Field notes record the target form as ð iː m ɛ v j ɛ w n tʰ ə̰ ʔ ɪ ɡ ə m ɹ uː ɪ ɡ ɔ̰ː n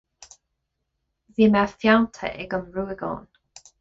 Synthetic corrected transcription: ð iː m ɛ f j a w n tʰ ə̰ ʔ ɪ ɡ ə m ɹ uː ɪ ɡ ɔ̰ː n